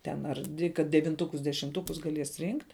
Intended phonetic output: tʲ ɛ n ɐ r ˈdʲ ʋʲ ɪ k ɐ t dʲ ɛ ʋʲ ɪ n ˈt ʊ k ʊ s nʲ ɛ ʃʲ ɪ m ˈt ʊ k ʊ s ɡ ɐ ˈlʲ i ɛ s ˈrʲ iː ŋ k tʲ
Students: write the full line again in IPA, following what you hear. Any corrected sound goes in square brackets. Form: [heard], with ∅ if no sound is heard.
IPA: tʲ ɛ n ɐ r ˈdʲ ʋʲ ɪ k ɐ t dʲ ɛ ʋʲ ɪ n ˈt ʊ k ʊ s [dʲ] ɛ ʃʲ ɪ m ˈt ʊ k ʊ s ɡ ɐ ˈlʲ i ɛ s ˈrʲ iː ŋ k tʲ